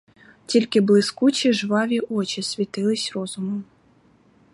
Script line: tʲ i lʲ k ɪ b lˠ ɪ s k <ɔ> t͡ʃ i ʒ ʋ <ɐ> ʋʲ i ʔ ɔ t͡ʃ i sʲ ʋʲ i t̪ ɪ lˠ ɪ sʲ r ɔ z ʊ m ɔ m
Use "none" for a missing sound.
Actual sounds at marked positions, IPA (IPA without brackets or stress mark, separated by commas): u, ɑ